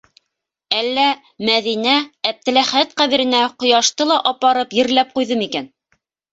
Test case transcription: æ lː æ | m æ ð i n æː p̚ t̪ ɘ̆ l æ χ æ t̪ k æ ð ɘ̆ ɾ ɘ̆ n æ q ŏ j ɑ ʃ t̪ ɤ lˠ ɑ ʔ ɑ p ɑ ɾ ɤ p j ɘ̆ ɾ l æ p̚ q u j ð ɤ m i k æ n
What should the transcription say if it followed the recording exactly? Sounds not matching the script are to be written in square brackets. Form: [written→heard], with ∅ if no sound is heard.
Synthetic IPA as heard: æ lː æ | m æ ð i n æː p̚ t̪ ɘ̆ l æ χ æ t̪ [k→q] æ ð ɘ̆ ɾ ɘ̆ n æ q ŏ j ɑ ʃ t̪ ɤ lˠ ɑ ʔ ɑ p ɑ ɾ ɤ p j ɘ̆ ɾ l æ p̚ q u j ð ɤ m i k æ n